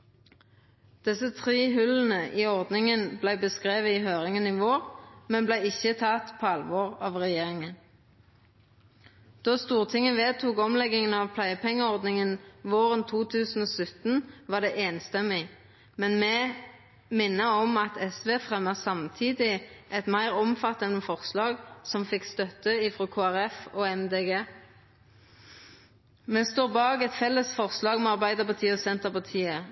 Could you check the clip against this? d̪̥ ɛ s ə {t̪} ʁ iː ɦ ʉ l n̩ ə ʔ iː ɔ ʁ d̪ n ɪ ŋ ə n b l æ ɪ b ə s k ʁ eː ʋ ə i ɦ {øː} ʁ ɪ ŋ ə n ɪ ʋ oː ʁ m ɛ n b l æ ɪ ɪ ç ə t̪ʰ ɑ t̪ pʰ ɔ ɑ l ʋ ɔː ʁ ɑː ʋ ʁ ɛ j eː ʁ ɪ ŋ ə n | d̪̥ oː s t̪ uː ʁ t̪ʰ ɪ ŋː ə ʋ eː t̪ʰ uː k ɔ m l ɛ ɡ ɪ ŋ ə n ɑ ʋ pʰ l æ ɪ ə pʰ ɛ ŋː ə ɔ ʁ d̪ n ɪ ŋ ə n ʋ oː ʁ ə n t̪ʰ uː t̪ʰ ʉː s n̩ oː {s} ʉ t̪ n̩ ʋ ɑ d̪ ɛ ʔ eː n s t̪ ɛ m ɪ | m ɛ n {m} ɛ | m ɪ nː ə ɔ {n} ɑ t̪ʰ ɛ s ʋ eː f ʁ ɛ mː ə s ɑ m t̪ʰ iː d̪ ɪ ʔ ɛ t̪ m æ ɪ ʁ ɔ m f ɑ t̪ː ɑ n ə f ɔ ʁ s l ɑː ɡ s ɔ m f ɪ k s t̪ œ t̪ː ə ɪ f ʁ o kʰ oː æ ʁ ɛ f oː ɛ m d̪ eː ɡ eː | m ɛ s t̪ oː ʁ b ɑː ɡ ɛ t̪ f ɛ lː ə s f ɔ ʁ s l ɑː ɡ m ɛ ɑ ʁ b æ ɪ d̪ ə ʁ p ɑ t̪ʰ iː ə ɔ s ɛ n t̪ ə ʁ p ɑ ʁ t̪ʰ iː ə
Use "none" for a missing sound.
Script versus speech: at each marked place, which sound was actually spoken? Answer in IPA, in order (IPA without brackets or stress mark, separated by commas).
t̪ʰ, øː, s, m, m